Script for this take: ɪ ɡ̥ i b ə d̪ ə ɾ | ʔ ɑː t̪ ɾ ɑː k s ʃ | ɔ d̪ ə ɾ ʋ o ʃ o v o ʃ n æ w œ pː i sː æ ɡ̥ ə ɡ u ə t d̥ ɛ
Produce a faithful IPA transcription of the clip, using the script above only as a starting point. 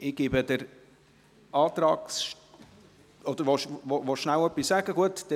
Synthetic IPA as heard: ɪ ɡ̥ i b ə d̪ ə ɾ | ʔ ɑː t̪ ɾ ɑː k s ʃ | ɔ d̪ ə ɾ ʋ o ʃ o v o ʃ n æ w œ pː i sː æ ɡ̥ ə ɡ u ə t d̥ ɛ

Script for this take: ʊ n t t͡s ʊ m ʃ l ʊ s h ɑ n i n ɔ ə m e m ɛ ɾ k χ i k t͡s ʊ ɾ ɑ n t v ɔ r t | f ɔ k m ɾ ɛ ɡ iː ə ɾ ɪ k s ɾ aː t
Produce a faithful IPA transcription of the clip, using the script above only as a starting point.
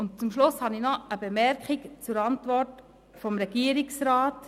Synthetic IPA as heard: ʊ n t t͡s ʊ m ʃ l ʊ s h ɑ n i n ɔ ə b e m ɛ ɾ k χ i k t͡s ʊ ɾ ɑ n t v ɔ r t | f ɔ m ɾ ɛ ɡ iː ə ɾ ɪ k s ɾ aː t

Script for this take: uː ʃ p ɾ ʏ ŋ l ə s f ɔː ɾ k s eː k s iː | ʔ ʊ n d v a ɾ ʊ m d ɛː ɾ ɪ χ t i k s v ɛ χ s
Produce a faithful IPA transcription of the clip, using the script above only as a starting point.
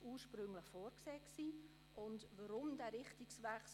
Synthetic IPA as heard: uː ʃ p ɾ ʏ ŋ l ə χ f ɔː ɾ k s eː k s iː | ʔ ʊ n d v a ɾ ʊ m d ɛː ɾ ɪ χ t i k s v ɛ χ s

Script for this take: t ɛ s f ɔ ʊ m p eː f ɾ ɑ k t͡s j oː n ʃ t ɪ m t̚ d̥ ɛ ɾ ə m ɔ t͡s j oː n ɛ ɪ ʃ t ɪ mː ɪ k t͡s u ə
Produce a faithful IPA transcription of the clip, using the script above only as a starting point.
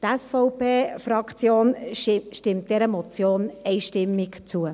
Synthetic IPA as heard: t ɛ s f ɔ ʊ p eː f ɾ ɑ k t͡s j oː n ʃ t ɪ m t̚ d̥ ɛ ɾ ə m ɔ t͡s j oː n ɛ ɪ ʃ t ɪ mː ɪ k t͡s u ə

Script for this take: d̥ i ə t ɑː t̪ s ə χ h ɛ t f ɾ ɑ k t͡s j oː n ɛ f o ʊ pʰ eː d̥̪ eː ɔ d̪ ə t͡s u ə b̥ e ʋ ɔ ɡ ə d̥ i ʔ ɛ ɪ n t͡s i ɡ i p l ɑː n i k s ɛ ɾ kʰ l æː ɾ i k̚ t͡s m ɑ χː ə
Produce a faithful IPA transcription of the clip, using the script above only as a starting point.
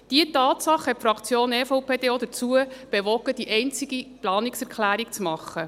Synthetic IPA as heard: d̥ i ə t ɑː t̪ s ɑ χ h ɛ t f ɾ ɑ k t͡s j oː n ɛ f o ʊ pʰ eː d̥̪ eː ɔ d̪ ə t͡s u ə b̥ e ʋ ɔ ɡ ə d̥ i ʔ ɛ ɪ n t͡s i ɡ i p l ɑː n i k s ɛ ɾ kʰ l æː ɾ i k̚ t͡s m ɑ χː ə

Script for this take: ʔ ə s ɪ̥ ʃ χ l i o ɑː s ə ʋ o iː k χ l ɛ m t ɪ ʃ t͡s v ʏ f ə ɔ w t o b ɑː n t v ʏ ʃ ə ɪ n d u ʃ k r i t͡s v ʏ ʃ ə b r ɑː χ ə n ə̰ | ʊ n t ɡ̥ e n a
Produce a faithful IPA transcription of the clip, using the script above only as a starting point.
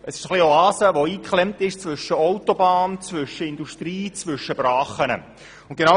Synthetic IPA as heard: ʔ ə s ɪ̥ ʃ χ l i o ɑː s ə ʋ o iː k χ l ɛ m t ɪ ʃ t͡s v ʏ ʃ ə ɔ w t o b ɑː n t͡s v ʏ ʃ ə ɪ n d u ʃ t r iː t͡s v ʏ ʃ ə b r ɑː χ ə n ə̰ | ʊ n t ɡ̥ e n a

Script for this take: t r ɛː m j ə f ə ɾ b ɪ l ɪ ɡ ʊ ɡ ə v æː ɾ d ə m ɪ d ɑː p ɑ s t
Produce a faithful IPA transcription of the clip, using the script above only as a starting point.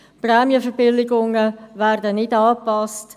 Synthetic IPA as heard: p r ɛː m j ə f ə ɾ b ɪ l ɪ ɡ ʊ ŋ ə v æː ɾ d ə n ɪ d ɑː p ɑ s t

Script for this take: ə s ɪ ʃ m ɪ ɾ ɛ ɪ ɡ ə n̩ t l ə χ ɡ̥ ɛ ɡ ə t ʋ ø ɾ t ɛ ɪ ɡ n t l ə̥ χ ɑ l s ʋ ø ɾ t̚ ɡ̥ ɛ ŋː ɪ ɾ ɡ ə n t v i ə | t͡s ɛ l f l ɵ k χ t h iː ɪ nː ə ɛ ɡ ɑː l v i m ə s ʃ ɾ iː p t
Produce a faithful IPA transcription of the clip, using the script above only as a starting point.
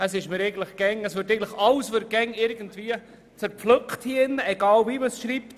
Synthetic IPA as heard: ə s ɪ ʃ m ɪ ɾ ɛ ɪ ɡ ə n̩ t l ə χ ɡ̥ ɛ ŋ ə s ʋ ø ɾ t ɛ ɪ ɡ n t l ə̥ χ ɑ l s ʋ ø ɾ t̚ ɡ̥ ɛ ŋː ɪ ɾ ɡ ə n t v i ə | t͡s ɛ ɾ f l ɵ k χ t h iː ɪ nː ə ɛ ɡ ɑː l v i m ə s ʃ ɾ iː p t

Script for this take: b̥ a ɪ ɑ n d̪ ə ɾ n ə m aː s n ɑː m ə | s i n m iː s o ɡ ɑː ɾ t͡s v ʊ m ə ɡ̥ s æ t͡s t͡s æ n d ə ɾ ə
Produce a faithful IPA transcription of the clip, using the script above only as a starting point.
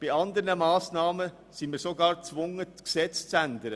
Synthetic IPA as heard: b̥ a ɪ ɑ n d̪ ə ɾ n ə m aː s n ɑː m ə | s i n m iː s o ɡ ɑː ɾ t͡s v ʊ ŋ ə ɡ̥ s ɛ t͡s t͡s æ n d ə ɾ ə

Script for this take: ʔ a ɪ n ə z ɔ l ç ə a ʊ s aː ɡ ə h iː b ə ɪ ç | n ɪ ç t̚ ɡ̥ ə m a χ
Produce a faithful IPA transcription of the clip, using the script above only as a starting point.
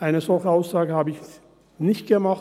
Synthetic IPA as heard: ʔ a ɪ n ə z ɔ l ç ə a ʊ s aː ɡ ə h aː b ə ɪ ç | n ɪ ç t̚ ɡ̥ ə m a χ

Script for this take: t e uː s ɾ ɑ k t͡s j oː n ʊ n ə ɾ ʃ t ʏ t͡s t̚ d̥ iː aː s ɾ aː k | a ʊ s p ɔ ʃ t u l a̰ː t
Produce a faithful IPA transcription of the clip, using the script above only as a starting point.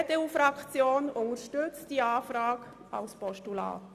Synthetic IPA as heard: t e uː f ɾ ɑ k t͡s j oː n ʊ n ə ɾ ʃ t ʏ t͡s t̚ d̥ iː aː f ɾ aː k | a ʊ s p ɔ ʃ t u l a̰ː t

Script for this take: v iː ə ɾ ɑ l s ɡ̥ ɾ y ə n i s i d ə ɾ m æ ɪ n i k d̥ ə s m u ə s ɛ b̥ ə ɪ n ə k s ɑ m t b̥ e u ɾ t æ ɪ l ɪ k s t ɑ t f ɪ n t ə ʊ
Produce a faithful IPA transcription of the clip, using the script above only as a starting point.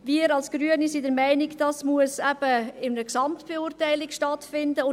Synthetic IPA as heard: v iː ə ɾ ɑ l s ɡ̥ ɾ y ə n i s i d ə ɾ m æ ɪ n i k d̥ ɑ s m u ə s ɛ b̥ ə ɪ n ə k s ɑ m t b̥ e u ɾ t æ ɪ l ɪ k ʃ t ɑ t f ɪ n d ə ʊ

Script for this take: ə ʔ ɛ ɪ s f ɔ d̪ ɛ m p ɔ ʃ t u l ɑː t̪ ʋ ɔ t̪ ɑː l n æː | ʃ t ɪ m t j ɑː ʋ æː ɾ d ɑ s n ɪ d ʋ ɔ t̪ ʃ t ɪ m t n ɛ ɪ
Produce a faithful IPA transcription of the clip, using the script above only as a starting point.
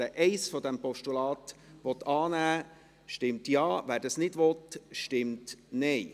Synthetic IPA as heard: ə ʔ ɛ ɪ s f ɔ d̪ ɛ m p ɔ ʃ t u l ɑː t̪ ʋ ɔ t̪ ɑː n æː | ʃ t ɪ m t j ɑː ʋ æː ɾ d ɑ s n ɪ d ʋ ɔ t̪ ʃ t ɪ m t n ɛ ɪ

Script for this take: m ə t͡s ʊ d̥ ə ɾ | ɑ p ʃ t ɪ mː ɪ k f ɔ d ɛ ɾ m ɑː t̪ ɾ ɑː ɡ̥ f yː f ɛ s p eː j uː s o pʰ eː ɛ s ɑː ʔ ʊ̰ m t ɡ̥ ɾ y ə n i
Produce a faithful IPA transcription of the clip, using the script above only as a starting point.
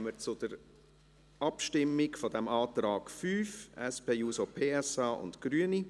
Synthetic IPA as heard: m ə t͡s ʊ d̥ ə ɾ | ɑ p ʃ t ɪ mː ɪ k f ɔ d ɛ m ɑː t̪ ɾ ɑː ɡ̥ f yː f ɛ s p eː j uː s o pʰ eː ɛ s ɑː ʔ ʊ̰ n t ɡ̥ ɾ y ə n i

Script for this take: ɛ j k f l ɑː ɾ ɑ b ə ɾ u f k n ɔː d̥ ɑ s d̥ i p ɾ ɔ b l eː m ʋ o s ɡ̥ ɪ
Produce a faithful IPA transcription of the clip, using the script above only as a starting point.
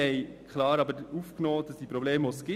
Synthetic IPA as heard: ɛ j k χ l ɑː ɾ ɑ b ə ɾ u f k n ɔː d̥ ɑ s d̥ i p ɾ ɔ b l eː m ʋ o s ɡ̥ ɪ

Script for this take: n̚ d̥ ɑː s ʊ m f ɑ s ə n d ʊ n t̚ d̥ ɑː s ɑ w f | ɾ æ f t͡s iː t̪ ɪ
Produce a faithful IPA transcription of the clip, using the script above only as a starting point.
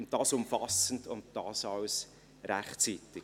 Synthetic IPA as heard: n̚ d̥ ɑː s ʊ m f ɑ s ə n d ʊ n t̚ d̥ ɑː s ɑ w s | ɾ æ χ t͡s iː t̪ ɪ

